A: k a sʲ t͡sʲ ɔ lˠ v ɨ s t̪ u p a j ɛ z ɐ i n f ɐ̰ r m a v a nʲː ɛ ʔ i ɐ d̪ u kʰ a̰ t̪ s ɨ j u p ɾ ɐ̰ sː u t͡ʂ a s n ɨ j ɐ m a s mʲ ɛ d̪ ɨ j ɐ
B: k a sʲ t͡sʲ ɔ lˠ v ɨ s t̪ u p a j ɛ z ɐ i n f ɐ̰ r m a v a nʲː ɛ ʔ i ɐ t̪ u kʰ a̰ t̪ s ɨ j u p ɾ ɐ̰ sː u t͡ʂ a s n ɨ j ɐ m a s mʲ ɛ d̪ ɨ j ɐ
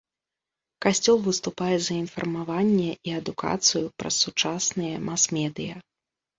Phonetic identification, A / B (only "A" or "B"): A